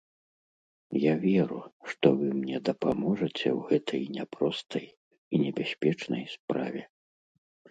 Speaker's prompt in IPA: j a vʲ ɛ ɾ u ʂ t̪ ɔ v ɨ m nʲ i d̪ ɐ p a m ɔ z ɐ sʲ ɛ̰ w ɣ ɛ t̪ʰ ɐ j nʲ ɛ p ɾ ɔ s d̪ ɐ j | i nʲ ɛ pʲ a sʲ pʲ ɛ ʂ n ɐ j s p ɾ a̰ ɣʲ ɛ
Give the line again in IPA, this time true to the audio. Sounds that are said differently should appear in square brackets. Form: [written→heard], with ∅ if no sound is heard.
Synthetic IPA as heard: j a vʲ ɛ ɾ u ʂ t̪ ɔ v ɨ m nʲ [i→ɛ] d̪ ɐ p a m ɔ [z→ʐ] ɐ [sʲ→t͡sʲ] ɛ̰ w ɣ ɛ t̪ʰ ɐ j nʲ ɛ p ɾ ɔ s [d̪→t̪] ɐ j | i nʲ ɛ [pʲ→bʲ] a sʲ pʲ ɛ [ʂ→t͡ʂ] n ɐ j s p ɾ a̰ [ɣʲ→vʲ] ɛ